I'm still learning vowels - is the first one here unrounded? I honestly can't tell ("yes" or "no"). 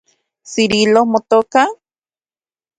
yes